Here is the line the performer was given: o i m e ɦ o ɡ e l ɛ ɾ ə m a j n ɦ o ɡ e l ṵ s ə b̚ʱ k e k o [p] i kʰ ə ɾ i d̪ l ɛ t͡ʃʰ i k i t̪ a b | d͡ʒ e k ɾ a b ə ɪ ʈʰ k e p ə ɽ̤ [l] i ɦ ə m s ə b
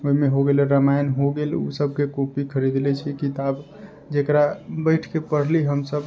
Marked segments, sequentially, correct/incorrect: correct, correct

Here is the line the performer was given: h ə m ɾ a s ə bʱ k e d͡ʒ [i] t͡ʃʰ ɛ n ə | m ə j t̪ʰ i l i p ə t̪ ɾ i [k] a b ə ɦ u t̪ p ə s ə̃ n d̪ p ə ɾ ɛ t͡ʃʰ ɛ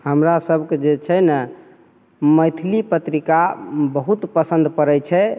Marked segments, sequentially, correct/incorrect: incorrect: e, correct

